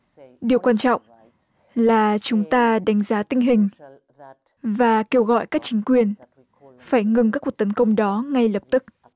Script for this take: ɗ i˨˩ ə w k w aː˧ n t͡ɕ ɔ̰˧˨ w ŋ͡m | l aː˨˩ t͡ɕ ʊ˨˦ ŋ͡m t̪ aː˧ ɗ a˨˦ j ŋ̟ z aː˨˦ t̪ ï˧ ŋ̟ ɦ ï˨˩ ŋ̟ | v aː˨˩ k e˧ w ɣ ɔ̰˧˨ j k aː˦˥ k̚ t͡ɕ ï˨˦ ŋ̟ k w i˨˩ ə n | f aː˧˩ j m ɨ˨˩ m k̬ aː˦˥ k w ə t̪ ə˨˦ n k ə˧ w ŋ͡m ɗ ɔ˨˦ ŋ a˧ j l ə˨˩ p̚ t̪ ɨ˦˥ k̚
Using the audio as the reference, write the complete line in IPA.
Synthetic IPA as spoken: ɗ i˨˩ ə w k w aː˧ n t͡ɕ ɔ̰˧˨ w ŋ͡m | l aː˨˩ t͡ɕ ʊ˨˦ ŋ͡m t̪ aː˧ ɗ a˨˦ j ŋ̟ z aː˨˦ t̪ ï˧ ŋ̟ ɦ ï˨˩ ŋ̟ | v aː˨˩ k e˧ w ɣ ɔ̰˧˨ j k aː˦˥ k̚ t͡ɕ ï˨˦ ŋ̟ k w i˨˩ ə n | f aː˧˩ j ŋ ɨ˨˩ ŋ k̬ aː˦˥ k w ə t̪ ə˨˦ n k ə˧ w ŋ͡m ɗ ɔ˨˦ ŋ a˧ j l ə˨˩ p̚ t̪ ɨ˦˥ k̚

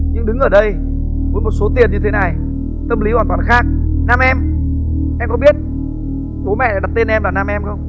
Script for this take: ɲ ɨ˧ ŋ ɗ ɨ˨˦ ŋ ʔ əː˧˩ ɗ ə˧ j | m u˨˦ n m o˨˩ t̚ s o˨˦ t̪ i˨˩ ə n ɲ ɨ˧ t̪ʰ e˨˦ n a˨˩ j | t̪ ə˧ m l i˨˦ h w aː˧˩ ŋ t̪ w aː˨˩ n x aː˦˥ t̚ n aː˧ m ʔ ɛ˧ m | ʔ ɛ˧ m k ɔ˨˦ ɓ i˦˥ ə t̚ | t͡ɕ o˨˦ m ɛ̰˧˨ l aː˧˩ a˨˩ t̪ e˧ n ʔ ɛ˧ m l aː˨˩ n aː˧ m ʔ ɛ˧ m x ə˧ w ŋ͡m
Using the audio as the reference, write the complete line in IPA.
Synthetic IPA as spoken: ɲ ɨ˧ ŋ ɗ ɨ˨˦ ŋ ʔ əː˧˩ ɗ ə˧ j | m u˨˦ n m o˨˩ t̚ s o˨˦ t̪ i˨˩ ə n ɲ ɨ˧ t̪ʰ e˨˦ n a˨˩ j | t̪ ə˧ m l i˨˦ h w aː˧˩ n t̪ w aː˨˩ n x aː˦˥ k̚ n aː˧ m ʔ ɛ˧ m | ʔ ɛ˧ m k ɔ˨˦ ɓ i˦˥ ə t̚ | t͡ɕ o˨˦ m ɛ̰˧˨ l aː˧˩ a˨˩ t̪ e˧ n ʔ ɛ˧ m l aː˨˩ n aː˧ m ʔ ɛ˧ m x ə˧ w ŋ͡m

